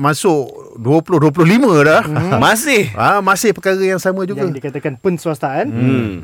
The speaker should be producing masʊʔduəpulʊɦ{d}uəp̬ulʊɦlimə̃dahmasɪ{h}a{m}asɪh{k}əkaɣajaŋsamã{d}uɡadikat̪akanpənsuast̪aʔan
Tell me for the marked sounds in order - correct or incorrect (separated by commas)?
correct, correct, correct, incorrect, incorrect